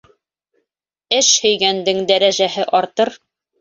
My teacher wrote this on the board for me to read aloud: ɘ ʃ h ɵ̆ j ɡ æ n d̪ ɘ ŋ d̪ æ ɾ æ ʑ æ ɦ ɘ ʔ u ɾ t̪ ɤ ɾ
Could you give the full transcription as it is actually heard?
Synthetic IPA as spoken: ɘ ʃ h ɵ̆ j ɡ æ n d̪ ɘ ŋ d̪ æ ɾ æ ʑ æ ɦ ɘ ʔ ɒ ɾ t̪ ɤ ɾ